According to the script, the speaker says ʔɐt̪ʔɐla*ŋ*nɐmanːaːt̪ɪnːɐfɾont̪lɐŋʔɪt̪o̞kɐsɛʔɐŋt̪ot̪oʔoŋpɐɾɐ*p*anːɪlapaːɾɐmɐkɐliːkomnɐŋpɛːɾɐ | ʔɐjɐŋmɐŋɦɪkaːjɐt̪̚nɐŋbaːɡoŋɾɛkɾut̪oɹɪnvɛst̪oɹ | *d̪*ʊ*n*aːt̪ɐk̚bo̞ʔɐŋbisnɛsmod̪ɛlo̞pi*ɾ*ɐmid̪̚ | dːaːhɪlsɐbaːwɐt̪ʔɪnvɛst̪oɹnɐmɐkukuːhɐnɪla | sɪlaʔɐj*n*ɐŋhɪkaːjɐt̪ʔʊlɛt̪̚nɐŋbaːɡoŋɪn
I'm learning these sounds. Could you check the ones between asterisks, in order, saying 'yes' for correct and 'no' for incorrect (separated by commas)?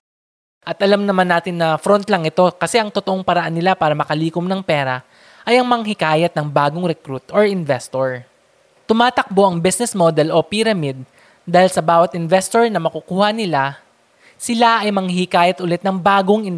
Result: no, no, no, no, yes, no